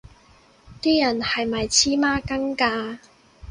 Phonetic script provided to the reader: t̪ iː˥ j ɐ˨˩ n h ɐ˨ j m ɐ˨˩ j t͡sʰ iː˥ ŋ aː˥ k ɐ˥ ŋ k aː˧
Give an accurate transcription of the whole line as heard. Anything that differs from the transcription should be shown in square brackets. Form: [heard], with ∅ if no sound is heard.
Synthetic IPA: t̪ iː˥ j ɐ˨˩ n h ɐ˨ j m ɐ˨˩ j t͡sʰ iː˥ [m] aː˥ k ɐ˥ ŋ k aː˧